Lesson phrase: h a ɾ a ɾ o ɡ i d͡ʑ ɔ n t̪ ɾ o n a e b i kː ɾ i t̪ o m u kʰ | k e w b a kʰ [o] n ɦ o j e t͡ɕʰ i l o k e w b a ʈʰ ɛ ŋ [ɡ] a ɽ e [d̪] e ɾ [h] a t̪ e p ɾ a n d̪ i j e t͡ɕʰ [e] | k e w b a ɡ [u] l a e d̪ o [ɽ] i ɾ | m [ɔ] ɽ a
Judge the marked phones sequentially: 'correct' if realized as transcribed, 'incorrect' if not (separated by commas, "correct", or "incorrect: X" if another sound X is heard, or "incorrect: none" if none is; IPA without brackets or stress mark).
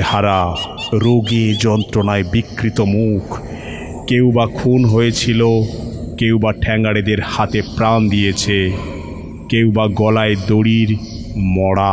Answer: incorrect: u, correct, correct, correct, correct, incorrect: ɔ, correct, correct